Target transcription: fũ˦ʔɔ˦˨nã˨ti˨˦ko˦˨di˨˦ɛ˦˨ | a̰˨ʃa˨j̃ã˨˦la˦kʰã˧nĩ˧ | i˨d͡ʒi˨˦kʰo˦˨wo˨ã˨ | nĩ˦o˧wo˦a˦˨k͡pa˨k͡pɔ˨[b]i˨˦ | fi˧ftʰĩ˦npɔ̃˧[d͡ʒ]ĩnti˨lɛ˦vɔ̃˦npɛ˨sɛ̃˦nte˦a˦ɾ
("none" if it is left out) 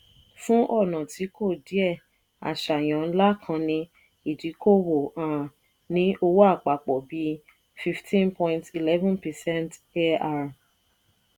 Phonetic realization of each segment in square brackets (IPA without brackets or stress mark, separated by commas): b, none